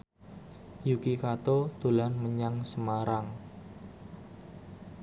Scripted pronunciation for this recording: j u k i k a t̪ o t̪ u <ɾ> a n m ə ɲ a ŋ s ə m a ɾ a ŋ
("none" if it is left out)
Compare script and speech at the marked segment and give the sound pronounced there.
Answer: l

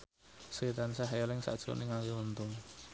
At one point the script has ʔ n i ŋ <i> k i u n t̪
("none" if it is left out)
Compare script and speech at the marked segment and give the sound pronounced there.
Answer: a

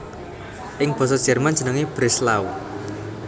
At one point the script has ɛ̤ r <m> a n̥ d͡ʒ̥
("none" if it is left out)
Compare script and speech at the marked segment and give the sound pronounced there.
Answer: m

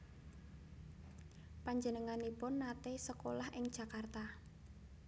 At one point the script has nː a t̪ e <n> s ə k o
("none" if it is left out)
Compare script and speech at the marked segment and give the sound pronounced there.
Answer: none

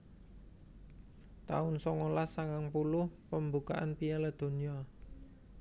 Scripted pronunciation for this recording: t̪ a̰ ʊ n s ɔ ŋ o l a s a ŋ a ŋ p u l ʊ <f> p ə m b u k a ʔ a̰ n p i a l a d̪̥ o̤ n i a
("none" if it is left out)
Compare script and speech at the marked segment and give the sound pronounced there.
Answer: h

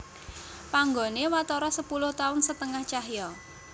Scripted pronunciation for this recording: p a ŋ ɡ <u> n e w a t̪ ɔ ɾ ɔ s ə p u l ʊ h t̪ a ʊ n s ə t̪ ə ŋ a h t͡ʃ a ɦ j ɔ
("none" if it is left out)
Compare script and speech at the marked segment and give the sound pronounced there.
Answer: o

